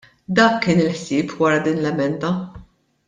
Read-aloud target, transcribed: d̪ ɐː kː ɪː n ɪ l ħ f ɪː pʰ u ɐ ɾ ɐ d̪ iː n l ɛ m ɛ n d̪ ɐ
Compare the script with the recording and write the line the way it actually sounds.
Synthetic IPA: d̪ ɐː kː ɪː n ɪ l ħ s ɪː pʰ w ɐ ɾ ɐ d̪ iː n l ɛ m ɛ n d̪ ɐ